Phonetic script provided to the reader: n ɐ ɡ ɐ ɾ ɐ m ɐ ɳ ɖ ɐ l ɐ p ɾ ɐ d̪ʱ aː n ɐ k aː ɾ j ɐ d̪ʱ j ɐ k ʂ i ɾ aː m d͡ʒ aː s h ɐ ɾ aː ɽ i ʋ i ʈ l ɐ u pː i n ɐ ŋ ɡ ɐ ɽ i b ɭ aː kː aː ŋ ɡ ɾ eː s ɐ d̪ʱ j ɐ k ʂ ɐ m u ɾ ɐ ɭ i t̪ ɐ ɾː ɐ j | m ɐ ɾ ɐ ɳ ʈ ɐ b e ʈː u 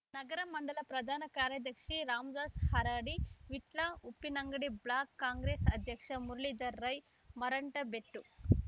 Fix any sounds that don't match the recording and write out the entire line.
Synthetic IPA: n ɐ ɡ ɐ ɾ ɐ m ɐ ɳ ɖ ɐ l ɐ p ɾ ɐ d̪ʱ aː n ɐ k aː ɾ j ɐ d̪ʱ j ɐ k ʂ i ɾ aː m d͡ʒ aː s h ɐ ɾ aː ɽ i ʋ i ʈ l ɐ u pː i n ɐ ŋ ɡ ɐ ɽ i b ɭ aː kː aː ŋ ɡ ɾ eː s ɐ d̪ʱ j ɐ k ʂ ɐ m u ɾ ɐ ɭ i d̪ ɐ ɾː ɐ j | m ɐ ɾ ɐ ɳ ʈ ɐ b e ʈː u